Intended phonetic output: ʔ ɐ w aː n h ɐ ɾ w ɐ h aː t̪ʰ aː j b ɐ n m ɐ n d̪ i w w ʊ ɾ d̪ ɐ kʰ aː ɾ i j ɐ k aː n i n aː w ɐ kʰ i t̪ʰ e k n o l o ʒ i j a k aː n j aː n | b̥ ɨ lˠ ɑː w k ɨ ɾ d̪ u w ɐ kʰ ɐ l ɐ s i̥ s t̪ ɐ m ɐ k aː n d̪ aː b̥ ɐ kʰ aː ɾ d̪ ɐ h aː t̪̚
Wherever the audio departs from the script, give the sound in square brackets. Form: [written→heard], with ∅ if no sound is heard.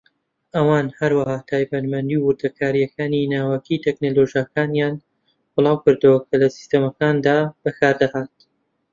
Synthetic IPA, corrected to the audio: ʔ ɐ w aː n h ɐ ɾ w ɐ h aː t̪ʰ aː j b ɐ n m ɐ n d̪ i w w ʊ ɾ d̪ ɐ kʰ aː ɾ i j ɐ k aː n i n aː w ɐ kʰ i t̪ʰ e k n o l o ʒ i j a k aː n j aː n | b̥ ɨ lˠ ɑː w k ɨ ɾ d̪ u w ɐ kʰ ɐ l ɐ s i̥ s t̪ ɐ m ɐ k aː n d̪ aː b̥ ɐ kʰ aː ɾ d̪ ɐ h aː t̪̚